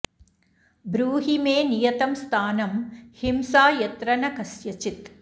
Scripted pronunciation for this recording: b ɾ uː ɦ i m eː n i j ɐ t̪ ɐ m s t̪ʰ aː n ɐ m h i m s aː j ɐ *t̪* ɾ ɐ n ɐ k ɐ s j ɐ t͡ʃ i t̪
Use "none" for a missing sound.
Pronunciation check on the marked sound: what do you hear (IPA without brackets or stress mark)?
t̪